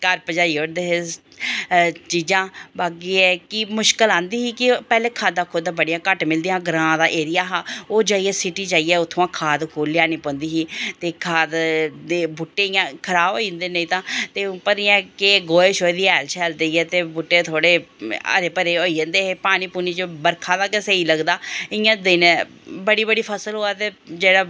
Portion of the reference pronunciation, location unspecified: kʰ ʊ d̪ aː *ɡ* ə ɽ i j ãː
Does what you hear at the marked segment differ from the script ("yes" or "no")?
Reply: yes